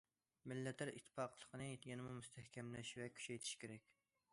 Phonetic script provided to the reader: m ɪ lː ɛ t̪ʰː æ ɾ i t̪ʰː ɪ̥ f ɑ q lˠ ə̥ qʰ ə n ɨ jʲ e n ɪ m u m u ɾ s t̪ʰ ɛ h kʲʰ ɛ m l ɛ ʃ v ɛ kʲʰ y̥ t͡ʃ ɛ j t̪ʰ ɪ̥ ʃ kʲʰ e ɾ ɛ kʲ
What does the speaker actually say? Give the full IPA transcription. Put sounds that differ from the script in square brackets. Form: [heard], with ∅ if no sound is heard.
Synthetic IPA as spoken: m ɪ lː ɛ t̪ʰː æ ɾ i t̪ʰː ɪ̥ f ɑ q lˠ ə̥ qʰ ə n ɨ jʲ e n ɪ m u m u [∅] s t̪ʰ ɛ h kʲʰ ɛ m l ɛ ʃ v ɛ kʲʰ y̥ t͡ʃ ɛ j t̪ʰ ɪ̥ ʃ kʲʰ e ɾ ɛ kʲ